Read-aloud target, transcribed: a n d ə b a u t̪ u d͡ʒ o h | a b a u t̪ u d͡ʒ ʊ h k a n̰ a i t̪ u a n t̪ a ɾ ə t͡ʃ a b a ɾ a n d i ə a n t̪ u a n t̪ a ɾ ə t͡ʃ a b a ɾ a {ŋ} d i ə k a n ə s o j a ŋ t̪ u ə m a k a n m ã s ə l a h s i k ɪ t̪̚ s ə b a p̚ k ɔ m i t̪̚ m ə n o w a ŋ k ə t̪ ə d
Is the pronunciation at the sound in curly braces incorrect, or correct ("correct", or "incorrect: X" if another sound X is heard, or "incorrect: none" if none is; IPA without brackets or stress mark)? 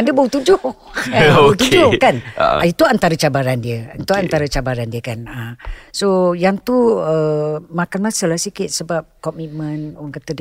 incorrect: n